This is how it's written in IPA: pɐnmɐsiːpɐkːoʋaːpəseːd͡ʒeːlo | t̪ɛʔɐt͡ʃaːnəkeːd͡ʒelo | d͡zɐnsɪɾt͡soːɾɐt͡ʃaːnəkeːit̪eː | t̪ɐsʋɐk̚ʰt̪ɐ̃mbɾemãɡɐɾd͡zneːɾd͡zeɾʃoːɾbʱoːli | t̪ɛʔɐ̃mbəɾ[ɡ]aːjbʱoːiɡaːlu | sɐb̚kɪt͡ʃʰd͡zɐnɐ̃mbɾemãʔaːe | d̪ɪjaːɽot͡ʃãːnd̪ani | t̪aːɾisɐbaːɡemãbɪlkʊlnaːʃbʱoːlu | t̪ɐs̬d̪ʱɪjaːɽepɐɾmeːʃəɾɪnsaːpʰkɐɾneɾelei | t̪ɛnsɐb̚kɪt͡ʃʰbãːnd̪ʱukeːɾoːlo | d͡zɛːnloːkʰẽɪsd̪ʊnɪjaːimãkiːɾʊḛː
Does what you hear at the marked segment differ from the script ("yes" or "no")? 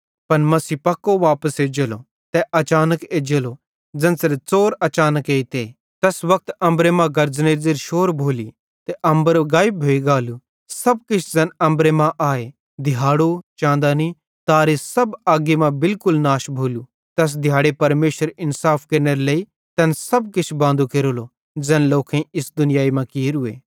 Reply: no